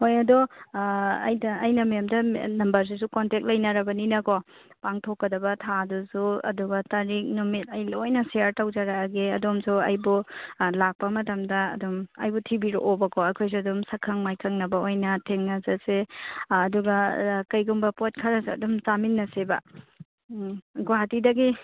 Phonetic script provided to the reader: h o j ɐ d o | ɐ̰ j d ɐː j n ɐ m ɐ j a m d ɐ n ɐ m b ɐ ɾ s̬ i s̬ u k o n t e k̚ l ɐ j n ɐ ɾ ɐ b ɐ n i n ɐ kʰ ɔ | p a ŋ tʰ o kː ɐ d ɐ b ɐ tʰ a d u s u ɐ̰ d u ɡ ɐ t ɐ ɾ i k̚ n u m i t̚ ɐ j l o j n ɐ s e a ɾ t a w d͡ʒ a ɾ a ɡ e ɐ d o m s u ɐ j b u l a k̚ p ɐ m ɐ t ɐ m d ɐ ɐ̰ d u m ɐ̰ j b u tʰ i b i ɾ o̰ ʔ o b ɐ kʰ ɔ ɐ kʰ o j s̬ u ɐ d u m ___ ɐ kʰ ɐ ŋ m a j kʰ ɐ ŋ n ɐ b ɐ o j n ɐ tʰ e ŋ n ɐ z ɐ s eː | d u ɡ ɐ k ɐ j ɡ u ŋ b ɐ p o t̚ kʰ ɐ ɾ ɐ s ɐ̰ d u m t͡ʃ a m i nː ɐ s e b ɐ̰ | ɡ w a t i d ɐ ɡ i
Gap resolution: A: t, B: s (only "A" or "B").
B